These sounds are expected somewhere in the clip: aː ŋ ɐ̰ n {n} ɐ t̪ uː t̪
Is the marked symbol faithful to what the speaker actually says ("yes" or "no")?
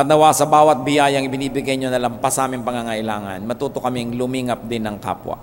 no